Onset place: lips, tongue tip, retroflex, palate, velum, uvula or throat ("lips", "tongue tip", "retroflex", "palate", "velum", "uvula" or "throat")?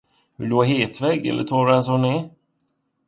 throat